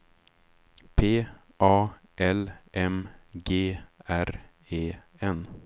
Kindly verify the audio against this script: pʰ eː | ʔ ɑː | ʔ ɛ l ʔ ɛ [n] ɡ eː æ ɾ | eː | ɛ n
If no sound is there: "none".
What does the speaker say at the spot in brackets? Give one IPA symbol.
m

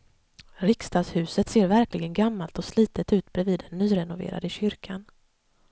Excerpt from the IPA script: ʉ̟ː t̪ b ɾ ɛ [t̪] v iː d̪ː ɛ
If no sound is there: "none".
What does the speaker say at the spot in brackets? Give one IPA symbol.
none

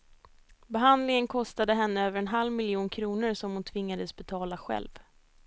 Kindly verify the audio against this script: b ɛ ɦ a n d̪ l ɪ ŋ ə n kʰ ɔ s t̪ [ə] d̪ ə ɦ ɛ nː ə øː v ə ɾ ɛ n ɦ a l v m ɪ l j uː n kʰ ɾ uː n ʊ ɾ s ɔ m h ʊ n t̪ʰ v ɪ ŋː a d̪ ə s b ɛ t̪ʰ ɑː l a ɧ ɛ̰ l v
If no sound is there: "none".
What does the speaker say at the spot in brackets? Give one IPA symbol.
a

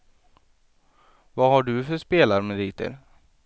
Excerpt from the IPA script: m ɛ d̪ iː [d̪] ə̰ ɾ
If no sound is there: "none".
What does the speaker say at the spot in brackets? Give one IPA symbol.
t̪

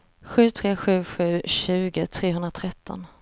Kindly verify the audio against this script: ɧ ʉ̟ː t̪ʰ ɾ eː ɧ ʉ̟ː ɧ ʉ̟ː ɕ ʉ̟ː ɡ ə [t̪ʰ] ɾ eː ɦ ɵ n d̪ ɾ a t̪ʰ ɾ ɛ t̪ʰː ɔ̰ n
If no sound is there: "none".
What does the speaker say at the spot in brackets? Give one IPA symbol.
t̪ʰ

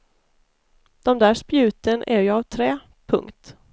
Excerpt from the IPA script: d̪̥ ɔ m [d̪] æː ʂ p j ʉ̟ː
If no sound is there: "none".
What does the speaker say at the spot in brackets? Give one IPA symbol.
d̪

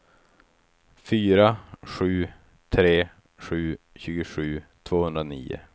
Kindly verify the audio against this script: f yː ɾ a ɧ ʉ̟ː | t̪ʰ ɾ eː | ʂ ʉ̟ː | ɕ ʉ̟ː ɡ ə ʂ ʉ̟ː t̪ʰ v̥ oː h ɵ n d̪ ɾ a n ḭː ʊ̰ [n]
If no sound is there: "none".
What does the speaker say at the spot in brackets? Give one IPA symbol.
none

